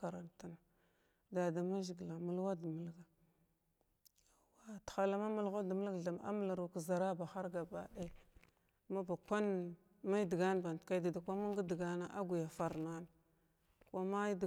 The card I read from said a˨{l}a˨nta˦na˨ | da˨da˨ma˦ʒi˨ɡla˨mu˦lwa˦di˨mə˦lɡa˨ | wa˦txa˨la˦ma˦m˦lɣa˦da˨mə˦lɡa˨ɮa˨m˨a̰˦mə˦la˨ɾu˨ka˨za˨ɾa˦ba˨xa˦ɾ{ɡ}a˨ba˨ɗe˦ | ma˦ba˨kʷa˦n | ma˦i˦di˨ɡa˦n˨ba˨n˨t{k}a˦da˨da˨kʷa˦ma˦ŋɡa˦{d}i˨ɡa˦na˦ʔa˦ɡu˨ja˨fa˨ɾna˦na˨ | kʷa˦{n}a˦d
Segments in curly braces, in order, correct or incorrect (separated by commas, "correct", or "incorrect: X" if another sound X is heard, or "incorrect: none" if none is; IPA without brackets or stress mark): incorrect: ɾ, correct, correct, correct, incorrect: m